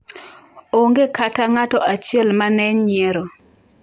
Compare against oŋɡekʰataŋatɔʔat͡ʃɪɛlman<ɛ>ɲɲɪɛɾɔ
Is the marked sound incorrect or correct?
correct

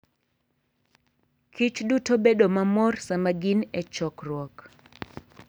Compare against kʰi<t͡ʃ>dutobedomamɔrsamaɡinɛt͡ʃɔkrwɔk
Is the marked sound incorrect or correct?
correct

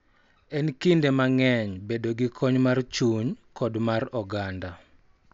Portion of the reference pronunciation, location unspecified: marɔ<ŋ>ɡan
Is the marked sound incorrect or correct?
incorrect: none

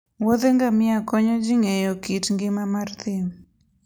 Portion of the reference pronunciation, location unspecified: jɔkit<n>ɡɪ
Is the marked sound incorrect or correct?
incorrect: ŋ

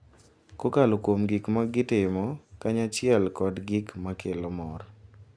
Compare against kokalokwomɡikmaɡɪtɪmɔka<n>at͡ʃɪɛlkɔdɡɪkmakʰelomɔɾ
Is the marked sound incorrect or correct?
incorrect: ɲ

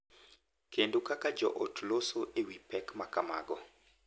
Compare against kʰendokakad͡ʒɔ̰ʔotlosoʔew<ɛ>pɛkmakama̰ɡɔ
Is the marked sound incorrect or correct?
incorrect: i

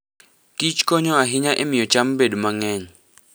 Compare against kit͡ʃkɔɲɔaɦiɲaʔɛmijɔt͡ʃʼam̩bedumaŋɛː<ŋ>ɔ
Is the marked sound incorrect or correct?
incorrect: ɲ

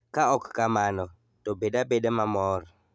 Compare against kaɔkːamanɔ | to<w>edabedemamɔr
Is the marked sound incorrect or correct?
incorrect: b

